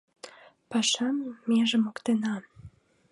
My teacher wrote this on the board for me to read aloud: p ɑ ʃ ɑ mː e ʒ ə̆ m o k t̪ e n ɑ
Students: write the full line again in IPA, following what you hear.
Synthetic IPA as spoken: p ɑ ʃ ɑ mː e ʒ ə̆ m o k t̪ e n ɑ